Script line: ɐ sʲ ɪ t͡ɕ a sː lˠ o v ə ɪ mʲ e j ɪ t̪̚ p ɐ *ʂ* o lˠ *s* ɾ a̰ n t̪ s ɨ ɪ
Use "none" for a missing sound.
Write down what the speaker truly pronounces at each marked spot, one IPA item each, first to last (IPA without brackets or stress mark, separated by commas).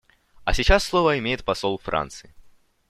s, f